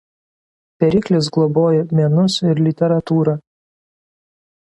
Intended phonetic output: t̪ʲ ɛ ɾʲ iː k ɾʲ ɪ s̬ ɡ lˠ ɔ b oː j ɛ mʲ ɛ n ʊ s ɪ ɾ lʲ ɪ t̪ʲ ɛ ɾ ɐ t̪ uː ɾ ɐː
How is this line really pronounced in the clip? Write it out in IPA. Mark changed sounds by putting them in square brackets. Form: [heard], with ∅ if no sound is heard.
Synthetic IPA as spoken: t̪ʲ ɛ ɾʲ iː k [lʲ] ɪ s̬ ɡ lˠ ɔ b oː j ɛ mʲ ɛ n ʊ s ɪ ɾ lʲ ɪ t̪ʲ ɛ ɾ ɐ t̪ uː ɾ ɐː